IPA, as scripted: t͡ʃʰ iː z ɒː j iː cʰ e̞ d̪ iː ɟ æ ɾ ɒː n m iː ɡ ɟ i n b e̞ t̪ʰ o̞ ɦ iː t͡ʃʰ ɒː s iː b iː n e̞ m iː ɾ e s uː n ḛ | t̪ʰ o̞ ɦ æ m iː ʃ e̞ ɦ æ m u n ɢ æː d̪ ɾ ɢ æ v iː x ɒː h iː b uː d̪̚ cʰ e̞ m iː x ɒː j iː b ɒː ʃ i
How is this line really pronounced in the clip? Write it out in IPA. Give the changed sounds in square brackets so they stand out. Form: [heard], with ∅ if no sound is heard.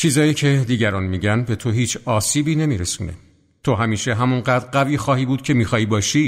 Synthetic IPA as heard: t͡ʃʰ iː z ɒː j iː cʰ e̞ d̪ iː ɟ æ ɾ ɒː n m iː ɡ ɟ [æ] n b e̞ t̪ʰ o̞ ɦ iː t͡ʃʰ ɒː s iː b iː n e̞ m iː ɾ e s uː n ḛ | t̪ʰ o̞ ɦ æ m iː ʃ e̞ ɦ æ m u n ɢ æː d̪ ɾ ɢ æ v iː x ɒː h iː b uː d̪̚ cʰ e̞ m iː x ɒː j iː b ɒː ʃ i